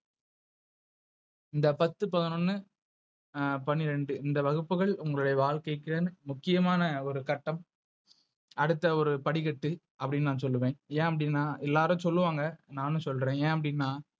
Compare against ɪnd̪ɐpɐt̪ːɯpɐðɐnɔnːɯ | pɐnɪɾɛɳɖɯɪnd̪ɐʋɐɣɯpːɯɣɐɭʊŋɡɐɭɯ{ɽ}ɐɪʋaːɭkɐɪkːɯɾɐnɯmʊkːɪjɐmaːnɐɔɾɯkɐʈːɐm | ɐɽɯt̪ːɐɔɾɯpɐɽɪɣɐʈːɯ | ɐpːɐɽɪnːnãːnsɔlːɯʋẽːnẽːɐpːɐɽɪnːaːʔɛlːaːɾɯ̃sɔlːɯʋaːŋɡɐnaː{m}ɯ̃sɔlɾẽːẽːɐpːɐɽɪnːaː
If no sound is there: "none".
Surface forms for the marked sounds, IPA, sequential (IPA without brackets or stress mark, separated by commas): ɽ, n